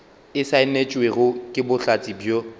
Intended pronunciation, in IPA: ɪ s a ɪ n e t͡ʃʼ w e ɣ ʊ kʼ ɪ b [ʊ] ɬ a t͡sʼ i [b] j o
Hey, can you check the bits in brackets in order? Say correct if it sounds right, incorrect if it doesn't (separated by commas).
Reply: correct, correct